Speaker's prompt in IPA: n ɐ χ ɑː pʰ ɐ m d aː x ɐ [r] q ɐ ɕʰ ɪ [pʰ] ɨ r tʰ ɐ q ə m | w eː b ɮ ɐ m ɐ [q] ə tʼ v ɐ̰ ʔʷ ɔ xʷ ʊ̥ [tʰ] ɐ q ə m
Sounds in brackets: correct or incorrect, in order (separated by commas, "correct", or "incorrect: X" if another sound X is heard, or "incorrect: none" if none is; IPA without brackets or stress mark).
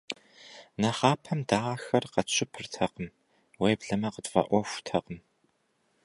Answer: correct, correct, correct, correct